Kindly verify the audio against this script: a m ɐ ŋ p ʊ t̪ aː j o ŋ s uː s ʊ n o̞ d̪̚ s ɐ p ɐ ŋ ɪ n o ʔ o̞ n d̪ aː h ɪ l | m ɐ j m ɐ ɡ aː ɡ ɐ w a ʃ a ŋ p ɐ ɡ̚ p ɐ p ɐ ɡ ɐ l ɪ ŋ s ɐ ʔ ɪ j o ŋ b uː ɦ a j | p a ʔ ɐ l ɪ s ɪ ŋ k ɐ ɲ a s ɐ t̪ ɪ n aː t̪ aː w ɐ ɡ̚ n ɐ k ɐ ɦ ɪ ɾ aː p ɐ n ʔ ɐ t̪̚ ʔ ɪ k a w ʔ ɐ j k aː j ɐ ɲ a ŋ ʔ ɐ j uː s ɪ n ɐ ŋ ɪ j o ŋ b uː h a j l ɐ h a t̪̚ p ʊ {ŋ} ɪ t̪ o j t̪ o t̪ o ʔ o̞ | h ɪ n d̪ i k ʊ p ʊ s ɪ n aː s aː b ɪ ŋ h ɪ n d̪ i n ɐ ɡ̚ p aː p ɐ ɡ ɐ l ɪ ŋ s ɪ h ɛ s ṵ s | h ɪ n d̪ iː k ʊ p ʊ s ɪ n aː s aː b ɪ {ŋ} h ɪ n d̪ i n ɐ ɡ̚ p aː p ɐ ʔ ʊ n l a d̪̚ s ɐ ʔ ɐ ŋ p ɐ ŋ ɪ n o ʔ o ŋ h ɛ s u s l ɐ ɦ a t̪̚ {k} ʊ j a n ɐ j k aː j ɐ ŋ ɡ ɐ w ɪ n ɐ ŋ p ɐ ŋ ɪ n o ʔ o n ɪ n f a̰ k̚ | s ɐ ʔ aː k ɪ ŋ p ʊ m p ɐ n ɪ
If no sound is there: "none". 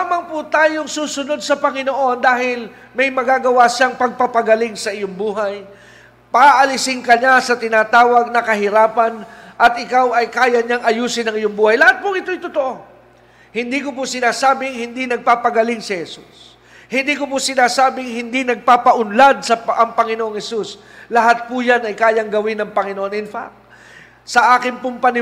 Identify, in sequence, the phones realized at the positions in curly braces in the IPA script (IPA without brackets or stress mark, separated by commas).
ŋ, ŋ, p